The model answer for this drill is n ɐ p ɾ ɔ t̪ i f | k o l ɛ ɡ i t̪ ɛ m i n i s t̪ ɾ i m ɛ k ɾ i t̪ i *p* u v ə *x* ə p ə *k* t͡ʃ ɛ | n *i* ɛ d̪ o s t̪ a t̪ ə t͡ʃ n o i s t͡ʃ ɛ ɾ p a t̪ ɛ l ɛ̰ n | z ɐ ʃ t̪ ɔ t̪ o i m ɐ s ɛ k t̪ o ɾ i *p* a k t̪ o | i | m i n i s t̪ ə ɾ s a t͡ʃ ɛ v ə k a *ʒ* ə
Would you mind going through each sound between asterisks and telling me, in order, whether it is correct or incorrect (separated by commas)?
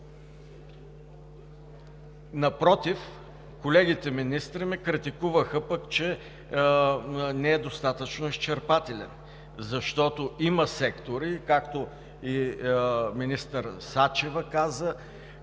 incorrect, correct, correct, incorrect, incorrect, incorrect